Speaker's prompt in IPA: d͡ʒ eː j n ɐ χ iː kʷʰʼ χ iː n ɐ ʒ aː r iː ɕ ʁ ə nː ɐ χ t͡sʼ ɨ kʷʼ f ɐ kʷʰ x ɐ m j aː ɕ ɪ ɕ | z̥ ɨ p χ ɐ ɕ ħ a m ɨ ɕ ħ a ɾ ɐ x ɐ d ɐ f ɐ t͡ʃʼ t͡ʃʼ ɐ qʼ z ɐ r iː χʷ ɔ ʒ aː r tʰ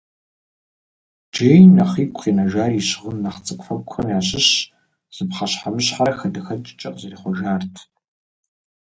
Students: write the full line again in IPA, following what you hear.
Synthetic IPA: d͡ʒ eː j n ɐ χ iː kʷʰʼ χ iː n ɐ ʒ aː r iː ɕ ʁ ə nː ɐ χ t͡sʼ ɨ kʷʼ f ɐ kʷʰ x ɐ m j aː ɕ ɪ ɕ | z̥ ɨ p χ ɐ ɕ ħ a m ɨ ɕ ħ a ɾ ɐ x ɐ d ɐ x ɐ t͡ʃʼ t͡ʃʼ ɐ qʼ z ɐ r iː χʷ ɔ ʒ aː r tʰ